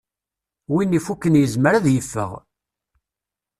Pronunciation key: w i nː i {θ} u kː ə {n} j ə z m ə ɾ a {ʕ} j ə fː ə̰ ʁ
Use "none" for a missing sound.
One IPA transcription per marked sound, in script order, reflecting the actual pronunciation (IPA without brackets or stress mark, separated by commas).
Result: f, n, ð